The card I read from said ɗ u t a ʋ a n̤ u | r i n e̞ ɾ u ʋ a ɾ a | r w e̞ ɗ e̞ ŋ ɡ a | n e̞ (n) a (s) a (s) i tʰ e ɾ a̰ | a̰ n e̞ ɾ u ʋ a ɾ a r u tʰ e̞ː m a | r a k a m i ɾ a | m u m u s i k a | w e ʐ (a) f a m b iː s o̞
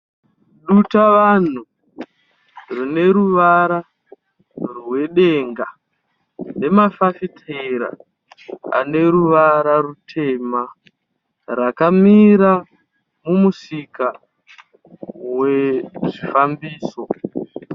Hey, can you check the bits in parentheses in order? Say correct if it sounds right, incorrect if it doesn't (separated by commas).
incorrect, incorrect, incorrect, incorrect